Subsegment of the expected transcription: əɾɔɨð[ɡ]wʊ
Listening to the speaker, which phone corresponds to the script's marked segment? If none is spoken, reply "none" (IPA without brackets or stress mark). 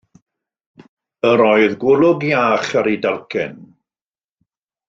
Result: ɡ